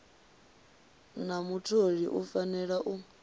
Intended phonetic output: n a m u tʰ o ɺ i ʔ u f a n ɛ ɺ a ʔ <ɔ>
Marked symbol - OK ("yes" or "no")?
no